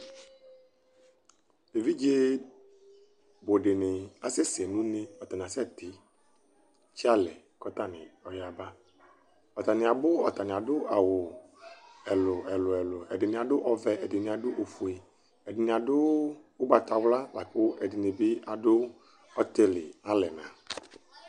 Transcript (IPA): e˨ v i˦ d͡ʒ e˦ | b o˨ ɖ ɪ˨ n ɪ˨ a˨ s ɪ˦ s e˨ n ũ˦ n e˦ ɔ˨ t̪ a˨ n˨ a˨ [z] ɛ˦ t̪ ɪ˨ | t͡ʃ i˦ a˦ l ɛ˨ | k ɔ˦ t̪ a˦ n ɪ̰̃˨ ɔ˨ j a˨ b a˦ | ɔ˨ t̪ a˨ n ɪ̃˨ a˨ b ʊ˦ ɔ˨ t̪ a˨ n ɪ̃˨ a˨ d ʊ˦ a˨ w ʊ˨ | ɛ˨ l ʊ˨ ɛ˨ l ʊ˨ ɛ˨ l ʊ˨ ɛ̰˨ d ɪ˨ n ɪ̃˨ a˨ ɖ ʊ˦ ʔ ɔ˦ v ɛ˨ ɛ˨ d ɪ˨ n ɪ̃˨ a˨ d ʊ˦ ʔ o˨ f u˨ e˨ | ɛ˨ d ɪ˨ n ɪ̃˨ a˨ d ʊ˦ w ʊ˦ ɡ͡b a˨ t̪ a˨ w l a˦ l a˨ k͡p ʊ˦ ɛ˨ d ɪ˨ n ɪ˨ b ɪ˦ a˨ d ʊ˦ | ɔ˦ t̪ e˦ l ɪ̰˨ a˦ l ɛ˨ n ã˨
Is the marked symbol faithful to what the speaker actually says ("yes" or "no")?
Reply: no